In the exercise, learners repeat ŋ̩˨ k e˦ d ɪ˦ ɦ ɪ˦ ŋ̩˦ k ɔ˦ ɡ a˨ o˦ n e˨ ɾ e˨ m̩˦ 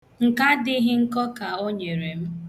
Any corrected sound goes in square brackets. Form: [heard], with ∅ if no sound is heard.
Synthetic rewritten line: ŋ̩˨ k [a˦] d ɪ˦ ɦ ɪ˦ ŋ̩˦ k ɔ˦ [k] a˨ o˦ [ɲ] e˨ ɾ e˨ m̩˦

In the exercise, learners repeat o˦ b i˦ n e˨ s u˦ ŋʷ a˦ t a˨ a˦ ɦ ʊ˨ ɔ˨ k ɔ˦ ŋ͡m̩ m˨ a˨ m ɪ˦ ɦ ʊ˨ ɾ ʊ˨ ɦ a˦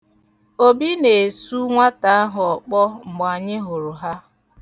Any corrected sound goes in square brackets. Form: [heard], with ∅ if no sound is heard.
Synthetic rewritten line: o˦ b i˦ n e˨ s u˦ ŋʷ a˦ t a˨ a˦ ɦ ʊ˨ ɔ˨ [k͡p] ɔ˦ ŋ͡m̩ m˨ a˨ [ɲ] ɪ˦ ɦ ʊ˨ ɾ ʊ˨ ɦ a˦

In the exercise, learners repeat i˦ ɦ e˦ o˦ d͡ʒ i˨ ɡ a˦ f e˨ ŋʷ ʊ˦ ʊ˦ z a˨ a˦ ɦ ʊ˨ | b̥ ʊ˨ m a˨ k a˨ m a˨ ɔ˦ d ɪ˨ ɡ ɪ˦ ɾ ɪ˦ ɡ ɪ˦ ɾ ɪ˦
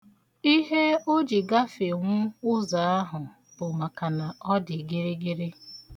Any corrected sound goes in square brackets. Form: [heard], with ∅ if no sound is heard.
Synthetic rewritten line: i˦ ɦ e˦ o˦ d͡ʒ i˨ ɡ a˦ f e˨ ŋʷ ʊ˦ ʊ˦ z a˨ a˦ ɦ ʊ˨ | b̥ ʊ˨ m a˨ k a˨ [n] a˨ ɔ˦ d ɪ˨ ɡ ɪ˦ ɾ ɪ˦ ɡ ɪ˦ ɾ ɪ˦

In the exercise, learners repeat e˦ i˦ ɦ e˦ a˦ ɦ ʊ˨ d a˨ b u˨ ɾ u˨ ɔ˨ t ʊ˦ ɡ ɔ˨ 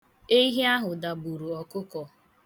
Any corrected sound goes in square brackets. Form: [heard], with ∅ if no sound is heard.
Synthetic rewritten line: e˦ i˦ ɦ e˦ a˦ ɦ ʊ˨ d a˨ b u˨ ɾ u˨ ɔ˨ [k] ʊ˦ [k] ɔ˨

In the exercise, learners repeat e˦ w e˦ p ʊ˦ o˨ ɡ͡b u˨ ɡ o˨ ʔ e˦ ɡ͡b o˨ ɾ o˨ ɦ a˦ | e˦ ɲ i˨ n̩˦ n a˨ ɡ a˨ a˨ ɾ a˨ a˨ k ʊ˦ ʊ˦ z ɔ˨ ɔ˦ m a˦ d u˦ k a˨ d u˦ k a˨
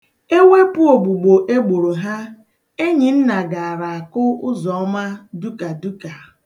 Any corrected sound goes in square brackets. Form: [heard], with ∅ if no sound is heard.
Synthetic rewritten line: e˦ w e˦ p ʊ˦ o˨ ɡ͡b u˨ [ɡ͡b] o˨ ʔ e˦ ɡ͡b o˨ ɾ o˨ ɦ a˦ | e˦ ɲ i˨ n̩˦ n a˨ ɡ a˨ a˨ ɾ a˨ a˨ k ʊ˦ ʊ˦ z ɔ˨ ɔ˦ m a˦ d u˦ k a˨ d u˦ k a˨

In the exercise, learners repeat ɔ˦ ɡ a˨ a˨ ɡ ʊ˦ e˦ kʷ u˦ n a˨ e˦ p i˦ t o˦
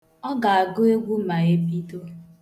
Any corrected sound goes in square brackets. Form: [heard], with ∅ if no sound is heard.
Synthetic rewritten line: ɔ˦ ɡ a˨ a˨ ɡ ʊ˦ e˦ [ɡʷ] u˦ [m] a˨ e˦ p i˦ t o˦

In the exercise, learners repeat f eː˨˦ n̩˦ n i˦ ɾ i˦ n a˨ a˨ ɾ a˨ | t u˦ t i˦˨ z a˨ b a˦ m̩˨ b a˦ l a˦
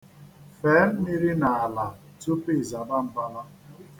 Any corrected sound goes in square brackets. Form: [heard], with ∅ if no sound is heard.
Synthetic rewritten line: f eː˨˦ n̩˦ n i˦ ɾ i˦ n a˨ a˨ [l] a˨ | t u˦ [p] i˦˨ z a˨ b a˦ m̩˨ b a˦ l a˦

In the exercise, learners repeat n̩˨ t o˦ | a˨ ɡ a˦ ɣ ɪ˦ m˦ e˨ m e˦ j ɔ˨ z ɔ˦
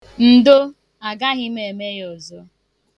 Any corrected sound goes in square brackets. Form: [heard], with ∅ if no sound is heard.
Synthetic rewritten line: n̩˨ [d] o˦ | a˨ ɡ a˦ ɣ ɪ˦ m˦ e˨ m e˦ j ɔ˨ z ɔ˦

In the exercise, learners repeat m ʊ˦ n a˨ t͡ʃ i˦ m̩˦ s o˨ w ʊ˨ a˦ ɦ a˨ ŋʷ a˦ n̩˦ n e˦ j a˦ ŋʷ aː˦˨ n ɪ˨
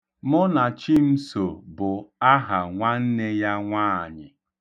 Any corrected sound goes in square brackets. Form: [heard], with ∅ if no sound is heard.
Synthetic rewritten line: m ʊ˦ n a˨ t͡ʃ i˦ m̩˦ s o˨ [b] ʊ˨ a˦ ɦ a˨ ŋʷ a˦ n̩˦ n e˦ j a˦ ŋʷ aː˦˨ [ɲ] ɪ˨

